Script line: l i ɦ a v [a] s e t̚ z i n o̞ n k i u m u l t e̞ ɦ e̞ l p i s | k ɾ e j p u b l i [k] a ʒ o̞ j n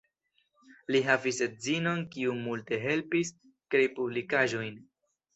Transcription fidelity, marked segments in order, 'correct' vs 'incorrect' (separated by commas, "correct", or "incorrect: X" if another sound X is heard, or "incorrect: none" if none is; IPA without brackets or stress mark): incorrect: i, correct